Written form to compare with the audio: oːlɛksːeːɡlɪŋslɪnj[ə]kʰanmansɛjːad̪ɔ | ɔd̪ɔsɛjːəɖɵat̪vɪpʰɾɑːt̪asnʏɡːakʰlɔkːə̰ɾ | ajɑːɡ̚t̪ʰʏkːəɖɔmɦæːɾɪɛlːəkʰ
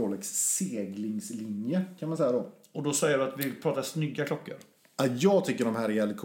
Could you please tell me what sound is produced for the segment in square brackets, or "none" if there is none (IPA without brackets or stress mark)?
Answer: ə